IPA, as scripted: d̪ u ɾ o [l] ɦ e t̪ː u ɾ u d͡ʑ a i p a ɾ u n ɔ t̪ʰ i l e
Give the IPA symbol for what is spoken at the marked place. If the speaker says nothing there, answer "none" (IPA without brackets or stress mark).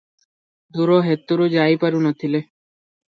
none